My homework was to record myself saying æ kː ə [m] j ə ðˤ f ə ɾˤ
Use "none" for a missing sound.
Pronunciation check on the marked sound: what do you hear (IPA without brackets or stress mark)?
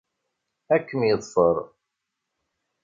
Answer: m